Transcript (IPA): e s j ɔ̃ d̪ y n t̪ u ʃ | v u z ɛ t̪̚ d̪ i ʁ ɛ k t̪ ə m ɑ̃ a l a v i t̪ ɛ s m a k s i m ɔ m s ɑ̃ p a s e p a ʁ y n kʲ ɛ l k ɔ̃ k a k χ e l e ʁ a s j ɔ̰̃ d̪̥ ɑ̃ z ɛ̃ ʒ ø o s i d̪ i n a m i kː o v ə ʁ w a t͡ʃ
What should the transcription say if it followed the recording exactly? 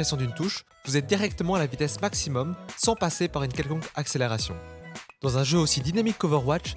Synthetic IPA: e s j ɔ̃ d̪ y n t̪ u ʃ | v u z ɛ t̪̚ d̪ i ʁ ɛ k t̪ ə m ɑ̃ a l a v i t̪ ɛ s m a k s i m ɔ m s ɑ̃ p a s e p a ʁ y n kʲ ɛ l k ɔ̃ k a k s e l e ʁ a s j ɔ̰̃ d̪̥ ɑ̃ z ɛ̃ ʒ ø o s i d̪ i n a m i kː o v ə ʁ w a t͡ʃ